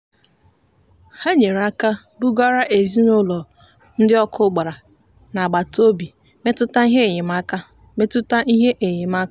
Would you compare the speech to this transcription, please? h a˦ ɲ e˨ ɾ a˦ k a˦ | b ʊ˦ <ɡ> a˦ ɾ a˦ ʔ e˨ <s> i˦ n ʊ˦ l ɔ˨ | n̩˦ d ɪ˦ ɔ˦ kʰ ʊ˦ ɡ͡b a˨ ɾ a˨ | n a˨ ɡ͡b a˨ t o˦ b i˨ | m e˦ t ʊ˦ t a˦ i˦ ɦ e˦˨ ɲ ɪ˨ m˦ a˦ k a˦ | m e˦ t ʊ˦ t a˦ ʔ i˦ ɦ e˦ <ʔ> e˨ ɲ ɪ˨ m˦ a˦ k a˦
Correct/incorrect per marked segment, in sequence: correct, incorrect, correct

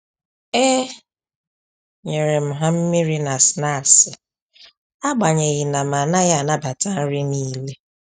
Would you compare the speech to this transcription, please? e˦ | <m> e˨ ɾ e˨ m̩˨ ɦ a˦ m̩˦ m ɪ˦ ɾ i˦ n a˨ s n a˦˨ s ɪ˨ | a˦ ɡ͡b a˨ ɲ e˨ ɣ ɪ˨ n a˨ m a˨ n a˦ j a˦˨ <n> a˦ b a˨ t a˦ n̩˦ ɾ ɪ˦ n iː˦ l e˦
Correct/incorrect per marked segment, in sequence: incorrect, correct

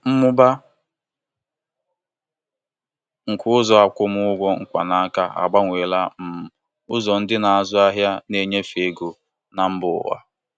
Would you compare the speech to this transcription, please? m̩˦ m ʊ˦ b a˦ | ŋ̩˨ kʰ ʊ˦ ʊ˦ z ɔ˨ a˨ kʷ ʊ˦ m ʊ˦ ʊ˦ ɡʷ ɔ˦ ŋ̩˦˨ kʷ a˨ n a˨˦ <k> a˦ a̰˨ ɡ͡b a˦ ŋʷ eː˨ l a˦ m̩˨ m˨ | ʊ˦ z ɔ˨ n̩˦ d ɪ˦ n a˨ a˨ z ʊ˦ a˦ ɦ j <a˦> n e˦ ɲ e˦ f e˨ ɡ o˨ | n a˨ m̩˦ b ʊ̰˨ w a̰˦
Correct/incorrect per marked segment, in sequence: correct, correct

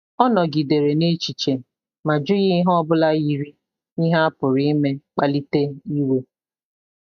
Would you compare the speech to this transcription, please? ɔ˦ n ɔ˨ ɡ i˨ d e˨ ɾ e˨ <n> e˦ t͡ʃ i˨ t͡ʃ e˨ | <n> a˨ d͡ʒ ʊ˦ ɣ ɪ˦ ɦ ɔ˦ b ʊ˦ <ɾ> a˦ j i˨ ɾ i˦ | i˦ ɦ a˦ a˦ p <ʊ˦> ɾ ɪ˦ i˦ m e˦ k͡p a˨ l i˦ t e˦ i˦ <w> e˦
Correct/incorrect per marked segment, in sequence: correct, incorrect, incorrect, incorrect, correct

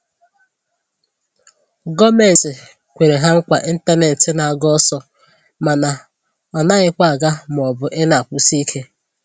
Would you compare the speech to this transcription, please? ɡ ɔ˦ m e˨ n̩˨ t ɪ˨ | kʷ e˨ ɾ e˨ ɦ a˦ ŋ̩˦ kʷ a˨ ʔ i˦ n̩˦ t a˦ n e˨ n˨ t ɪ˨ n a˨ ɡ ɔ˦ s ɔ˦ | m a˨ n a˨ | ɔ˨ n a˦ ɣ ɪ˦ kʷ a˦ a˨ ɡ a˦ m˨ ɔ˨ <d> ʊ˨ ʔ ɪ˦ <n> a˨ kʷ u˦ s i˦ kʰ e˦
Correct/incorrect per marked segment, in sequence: incorrect, correct

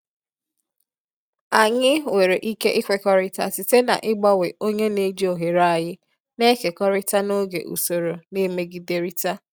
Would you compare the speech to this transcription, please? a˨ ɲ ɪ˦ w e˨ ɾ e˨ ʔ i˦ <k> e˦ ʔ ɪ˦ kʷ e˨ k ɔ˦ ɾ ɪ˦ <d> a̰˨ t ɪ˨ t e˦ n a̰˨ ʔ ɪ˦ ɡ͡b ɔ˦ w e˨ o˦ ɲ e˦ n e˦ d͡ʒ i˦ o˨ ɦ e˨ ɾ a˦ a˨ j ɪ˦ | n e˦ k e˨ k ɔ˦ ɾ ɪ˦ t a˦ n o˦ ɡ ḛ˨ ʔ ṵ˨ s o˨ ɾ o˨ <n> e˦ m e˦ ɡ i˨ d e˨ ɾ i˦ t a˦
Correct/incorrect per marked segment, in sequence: correct, incorrect, correct

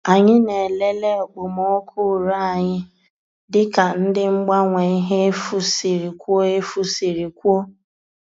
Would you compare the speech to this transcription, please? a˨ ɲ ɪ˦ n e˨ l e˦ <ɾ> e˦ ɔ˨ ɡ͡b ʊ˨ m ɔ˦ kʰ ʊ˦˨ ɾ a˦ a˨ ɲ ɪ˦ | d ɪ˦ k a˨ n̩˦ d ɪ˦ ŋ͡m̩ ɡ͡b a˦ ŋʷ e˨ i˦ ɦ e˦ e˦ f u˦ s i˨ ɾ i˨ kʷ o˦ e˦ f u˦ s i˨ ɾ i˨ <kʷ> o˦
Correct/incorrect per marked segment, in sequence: incorrect, correct

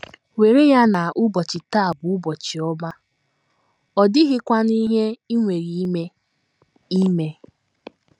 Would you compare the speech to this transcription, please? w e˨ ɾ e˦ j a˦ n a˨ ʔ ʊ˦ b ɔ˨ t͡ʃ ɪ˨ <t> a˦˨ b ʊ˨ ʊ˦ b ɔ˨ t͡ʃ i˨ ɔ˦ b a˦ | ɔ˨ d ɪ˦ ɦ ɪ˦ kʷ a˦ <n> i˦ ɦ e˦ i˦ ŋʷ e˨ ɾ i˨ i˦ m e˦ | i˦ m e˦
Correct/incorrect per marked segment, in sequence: correct, correct

